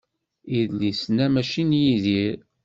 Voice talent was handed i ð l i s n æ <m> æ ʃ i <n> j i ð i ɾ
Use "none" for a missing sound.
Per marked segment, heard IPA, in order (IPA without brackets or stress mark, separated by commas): m, n